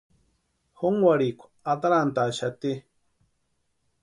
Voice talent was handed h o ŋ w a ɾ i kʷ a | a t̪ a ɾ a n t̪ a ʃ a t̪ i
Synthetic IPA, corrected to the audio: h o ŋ w a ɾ i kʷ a | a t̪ a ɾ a n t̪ a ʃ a t̪ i

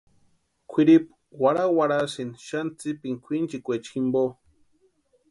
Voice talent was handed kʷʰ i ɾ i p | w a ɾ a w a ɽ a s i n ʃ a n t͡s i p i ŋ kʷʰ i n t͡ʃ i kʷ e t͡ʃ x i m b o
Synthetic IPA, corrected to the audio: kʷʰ i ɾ i p | w a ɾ a w a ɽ a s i n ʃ a n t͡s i p i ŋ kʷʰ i n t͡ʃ i kʷ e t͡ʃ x i m b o

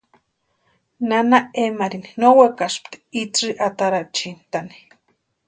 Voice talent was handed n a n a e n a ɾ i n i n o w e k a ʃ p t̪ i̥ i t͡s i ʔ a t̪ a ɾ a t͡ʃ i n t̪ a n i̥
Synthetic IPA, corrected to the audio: n a n a e m a ɾ i n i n o w e k a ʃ p t̪ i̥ i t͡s i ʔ a t̪ a ɾ a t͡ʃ i n t̪ a n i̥

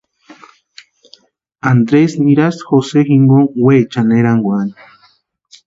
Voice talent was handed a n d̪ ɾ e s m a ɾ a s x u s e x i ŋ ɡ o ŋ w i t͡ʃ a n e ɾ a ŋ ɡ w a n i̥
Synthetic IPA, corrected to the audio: a n d̪ ɾ e s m i ɾ a s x o s e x i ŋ ɡ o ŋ w e t͡ʃ a n e ɾ a ŋ ɡ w a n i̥

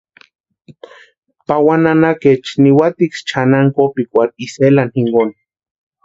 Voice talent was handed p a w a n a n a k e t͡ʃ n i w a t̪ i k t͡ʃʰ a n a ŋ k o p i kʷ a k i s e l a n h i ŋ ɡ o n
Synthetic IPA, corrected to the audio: p a w a n a n a k e t͡ʃ n i w a t̪ i k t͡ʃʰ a n a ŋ k o p i kʷ a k i s e l a n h i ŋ ɡ o n

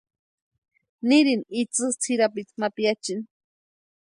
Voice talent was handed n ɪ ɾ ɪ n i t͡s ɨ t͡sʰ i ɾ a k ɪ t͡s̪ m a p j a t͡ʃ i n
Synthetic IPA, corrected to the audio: n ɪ ɾ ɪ n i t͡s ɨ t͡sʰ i ɾ a p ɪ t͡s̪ m a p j a t͡ʃ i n

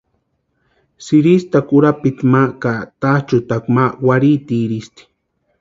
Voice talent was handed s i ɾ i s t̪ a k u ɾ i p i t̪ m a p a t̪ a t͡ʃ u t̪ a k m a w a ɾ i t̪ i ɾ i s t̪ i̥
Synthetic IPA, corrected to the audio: s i ɾ i s t̪ a k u ɾ a p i t̪ m a k a t̪ a t͡ʃ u t̪ a k m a w a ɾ i t̪ i ɾ i s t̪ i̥

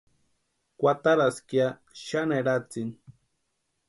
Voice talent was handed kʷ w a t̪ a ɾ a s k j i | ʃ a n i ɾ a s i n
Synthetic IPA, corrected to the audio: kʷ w a t̪ a ɾ a s k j a | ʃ a n e ɾ a t͡s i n

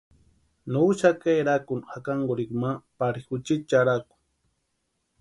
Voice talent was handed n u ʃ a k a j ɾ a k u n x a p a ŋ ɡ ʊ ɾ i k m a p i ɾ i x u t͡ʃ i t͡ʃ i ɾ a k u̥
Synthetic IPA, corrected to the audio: n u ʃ a k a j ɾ a k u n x a k a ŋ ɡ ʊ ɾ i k m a p a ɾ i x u t͡ʃ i t͡ʃ a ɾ a k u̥

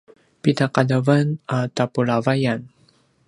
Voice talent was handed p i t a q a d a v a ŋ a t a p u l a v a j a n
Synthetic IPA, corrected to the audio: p i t a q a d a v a n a t a p u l a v a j a n

